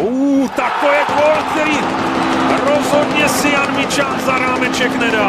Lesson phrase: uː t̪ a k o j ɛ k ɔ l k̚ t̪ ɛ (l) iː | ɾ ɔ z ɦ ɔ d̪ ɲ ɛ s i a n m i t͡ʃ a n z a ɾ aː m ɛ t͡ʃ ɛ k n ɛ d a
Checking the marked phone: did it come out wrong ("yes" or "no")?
yes